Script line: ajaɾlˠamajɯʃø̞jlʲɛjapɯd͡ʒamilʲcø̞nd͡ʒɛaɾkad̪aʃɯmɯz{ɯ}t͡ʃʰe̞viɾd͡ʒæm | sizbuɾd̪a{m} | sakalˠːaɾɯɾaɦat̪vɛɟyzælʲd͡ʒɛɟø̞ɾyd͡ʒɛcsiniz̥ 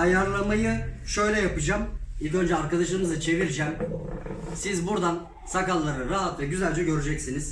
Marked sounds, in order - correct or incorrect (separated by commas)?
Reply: correct, incorrect